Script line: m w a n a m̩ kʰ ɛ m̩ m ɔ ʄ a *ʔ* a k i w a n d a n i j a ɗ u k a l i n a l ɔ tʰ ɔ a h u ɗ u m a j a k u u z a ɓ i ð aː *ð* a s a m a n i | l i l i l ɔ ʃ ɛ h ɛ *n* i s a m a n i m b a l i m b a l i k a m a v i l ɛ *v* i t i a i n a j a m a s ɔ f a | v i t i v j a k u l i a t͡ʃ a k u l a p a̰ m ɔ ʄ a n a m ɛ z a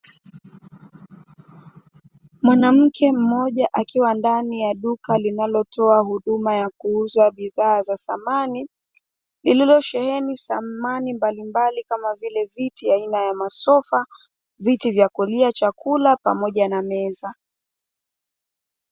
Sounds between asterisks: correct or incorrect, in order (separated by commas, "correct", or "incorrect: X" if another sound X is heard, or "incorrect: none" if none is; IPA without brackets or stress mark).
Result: correct, incorrect: z, correct, correct